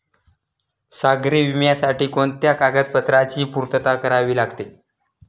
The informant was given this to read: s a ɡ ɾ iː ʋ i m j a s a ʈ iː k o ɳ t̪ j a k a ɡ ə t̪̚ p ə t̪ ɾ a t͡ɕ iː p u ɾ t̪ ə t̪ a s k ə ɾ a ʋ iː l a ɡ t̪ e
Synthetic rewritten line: s a ɡ ɾ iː ʋ i m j a s a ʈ iː k o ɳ t̪ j a k a ɡ ə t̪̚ p ə t̪ ɾ a t͡ɕ iː p u ɾ t̪ ə t̪ a k ə ɾ a ʋ iː l a ɡ t̪ e